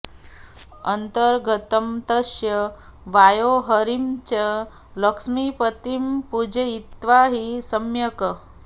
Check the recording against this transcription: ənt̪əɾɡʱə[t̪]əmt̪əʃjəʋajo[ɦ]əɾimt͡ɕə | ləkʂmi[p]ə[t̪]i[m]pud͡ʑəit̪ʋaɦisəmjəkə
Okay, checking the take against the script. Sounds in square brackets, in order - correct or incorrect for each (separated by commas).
correct, correct, correct, correct, correct